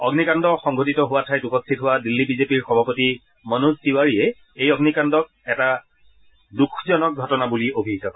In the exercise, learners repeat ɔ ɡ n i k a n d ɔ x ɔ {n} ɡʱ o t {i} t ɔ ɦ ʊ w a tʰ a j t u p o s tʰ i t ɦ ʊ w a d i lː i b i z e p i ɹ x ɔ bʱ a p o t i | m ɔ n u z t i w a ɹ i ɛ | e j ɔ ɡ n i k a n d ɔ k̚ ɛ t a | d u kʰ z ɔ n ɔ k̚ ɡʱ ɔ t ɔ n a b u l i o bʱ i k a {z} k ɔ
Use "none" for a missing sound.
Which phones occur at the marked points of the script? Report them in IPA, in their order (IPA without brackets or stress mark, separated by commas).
ŋ, i, none